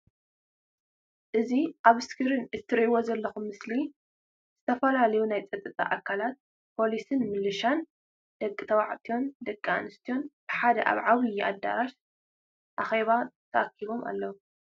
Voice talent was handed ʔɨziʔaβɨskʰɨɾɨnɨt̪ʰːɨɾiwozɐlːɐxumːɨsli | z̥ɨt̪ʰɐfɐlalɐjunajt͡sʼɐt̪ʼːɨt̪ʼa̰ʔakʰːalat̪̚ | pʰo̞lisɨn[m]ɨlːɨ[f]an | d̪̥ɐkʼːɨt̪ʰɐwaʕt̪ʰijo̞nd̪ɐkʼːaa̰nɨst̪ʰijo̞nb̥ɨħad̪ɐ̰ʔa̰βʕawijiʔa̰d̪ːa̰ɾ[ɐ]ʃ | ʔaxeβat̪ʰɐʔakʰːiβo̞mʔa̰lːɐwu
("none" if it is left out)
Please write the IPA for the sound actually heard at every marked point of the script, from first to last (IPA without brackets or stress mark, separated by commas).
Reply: m, ʃ, a